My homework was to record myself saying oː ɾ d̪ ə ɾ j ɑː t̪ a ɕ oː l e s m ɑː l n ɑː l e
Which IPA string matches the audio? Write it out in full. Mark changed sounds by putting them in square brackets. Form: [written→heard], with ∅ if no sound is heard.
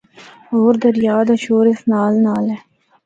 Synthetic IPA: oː ɾ d̪ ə ɾ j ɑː [t̪→d̪] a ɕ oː [l→ɾ] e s [m→n] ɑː l n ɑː l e